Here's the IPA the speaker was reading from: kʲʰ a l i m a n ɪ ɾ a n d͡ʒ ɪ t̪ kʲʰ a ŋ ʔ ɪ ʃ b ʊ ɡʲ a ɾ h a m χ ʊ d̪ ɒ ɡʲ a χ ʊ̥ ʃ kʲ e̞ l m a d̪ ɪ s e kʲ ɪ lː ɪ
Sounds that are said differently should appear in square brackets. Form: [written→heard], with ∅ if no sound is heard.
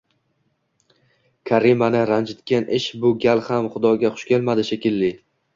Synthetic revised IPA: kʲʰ a [l→ɾ] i m a n ɪ ɾ a n d͡ʒ ɪ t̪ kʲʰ a [ŋ→n] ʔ ɪ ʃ b ʊ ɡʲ a [ɾ→l] h a m χ ʊ d̪ ɒ ɡʲ a χ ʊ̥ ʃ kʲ e̞ l m a d̪ ɪ [s→ʃ] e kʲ ɪ lː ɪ